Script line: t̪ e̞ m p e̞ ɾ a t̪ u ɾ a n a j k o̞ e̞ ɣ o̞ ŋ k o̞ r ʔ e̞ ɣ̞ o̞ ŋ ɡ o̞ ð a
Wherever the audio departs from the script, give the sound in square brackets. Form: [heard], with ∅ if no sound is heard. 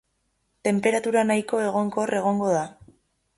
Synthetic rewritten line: t̪ e̞ m p e̞ ɾ a t̪ u ɾ a n a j k o̞ e̞ ɣ o̞ ŋ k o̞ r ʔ e̞ ɣ̞ o̞ ŋ ɡ o̞ ð a

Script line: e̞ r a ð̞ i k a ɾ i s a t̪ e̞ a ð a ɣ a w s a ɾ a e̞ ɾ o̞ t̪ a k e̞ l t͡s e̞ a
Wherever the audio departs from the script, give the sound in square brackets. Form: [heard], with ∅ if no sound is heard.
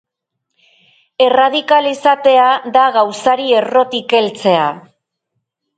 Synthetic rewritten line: e̞ r a ð̞ i k a [l] i s a t̪ e̞ a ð a ɣ a w s a ɾ [i] e̞ [r] o̞ t̪ [i] k e̞ l t͡s e̞ a

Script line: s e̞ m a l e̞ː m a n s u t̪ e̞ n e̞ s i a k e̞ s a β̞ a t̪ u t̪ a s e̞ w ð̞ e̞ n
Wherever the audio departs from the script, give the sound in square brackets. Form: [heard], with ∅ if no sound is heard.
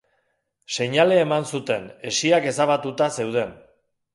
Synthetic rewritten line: s e̞ [ɲ] a l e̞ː m a n s u t̪ e̞ n e̞ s i a k e̞ s a β̞ a t̪ u t̪ a s e̞ w ð̞ e̞ n

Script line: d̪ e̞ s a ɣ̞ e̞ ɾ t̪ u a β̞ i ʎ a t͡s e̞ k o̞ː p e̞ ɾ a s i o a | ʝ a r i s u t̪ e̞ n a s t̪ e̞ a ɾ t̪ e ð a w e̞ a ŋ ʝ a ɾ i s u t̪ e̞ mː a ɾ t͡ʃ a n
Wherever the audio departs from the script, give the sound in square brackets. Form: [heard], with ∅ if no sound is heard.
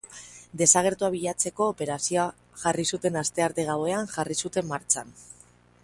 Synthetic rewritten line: d̪ e̞ s a ɣ̞ e̞ ɾ t̪ u a β̞ i ʎ a t͡s e̞ k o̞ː p e̞ ɾ a s i o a | ʝ a r i s u t̪ e̞ n a s t̪ e̞ a ɾ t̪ e [ɣ] a w e̞ a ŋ ʝ a [r] i s u t̪ e̞ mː a ɾ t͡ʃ a n

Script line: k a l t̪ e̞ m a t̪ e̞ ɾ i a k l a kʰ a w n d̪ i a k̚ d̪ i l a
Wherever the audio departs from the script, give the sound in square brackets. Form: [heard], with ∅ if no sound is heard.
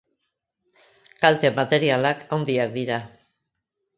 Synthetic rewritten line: k a l t̪ e̞ m a t̪ e̞ ɾ i a [∅] l a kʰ a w n d̪ i a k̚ d̪ i [ɾ] a

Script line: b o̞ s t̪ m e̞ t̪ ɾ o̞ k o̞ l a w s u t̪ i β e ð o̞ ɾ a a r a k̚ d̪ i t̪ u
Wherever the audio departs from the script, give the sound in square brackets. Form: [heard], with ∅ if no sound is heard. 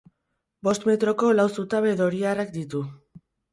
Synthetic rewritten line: b o̞ s t̪ m e̞ t̪ ɾ o̞ k o̞ l a w s u t̪ [a] β e ð o̞ ɾ [i] a r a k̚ d̪ i t̪ u

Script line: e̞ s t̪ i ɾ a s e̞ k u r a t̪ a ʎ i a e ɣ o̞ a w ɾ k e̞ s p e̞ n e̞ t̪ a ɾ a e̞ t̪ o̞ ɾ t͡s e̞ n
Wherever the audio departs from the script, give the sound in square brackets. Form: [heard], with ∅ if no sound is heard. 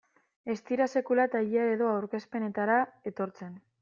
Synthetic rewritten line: e̞ s t̪ i ɾ a s e̞ k u [l] a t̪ a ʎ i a e [ð] o̞ a w ɾ k e̞ s p e̞ n e̞ t̪ a ɾ a e̞ t̪ o̞ ɾ t͡s e̞ n

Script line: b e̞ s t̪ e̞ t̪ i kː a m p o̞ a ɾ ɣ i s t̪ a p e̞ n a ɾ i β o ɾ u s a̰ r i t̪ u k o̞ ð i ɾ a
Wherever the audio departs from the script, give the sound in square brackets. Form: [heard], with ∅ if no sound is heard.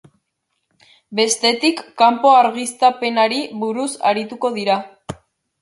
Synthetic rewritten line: b e̞ s t̪ e̞ t̪ i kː a m p o̞ a ɾ ɣ i s t̪ a p e̞ n a ɾ i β [u] ɾ u s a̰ [ɾ] i t̪ u k o̞ ð i ɾ a

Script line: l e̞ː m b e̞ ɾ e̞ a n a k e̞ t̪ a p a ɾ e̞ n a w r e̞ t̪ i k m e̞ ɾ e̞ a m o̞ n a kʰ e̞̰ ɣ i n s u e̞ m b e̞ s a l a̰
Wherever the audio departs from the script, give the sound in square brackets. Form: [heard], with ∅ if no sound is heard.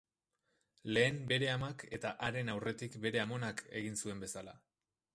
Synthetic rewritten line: l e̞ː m b e̞ ɾ e̞ a [m] a k e̞ t̪ a [ʔ] a ɾ e̞ n a w r e̞ t̪ i k [b] e̞ ɾ e̞ a m o̞ n a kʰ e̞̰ ɣ i n s u e̞ m b e̞ s a l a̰

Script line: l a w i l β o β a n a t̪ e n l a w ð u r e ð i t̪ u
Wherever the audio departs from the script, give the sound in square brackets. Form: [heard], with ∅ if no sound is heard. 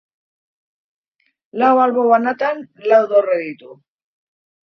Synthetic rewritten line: l a w [a] l β o β a n a t̪ [a] n l a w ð [o] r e ð i t̪ u

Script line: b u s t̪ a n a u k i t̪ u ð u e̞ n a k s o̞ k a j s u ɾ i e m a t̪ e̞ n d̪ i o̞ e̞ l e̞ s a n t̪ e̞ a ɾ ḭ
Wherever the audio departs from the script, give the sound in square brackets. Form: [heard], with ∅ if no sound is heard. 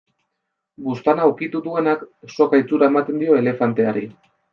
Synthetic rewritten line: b u s t̪ a n a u k i t̪ u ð u e̞ n a k s o̞ k a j [t͡s] u ɾ [a] e m a t̪ e̞ n d̪ i o̞ e̞ l e̞ [f] a n t̪ e̞ a ɾ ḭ

